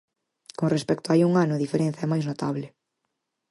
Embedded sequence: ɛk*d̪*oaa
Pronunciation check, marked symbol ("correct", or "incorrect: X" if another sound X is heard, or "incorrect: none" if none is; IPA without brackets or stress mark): incorrect: t̪